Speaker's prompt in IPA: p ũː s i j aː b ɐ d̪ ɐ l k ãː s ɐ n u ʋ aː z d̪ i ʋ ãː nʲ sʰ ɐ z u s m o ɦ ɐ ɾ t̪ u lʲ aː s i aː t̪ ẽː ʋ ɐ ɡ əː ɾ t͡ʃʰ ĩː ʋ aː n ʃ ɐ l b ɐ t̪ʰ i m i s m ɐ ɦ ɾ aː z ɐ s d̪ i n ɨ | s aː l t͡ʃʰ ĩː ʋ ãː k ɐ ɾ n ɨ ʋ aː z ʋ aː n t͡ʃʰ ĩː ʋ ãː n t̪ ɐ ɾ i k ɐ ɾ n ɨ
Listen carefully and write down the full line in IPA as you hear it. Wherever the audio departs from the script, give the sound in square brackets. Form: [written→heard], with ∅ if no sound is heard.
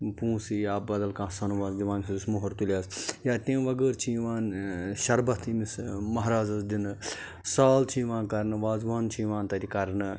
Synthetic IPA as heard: p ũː s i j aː b ɐ d̪ ɐ l k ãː s ɐ n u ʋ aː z d̪ i ʋ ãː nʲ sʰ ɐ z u s m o ɦ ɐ ɾ t̪ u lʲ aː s [i→j] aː t̪ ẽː ʋ ɐ ɡ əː ɾ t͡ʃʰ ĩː ʋ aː n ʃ ɐ [l→ɾ] b ɐ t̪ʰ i m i s m ɐ ɦ ɾ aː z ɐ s d̪ i n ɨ | s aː l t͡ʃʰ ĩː ʋ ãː k ɐ ɾ n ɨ ʋ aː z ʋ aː n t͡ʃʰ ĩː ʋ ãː n t̪ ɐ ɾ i k ɐ ɾ n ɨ